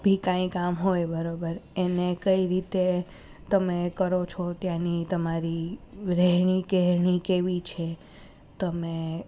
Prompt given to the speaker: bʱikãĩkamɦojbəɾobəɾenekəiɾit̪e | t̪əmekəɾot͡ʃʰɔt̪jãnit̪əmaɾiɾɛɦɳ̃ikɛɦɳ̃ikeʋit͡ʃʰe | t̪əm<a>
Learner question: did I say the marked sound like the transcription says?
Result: no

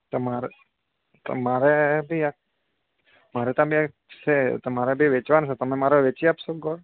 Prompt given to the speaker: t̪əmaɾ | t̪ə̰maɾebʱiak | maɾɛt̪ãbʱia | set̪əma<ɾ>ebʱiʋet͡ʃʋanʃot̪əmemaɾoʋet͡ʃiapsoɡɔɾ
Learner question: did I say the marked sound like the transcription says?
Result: yes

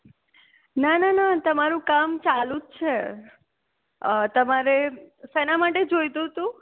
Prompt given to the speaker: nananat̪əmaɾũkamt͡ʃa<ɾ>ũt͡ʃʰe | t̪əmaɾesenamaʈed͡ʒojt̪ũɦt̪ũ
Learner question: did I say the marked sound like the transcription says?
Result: no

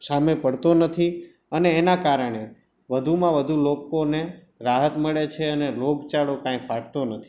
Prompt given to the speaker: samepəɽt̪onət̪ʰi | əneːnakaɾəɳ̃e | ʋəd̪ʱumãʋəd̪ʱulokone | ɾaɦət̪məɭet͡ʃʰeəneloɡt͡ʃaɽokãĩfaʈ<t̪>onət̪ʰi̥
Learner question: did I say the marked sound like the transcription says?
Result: yes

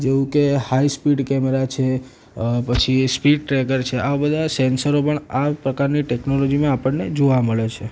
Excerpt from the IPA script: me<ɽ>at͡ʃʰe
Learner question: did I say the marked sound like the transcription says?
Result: no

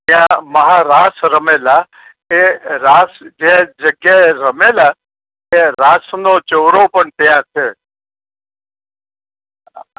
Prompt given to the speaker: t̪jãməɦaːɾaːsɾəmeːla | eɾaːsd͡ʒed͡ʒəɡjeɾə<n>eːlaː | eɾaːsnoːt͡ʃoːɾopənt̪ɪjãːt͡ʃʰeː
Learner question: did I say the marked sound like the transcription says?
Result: no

